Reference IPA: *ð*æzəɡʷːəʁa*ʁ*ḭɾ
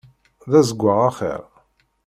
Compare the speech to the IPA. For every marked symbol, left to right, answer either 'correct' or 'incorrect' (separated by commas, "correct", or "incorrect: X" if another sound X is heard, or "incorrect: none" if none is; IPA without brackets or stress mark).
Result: correct, incorrect: χ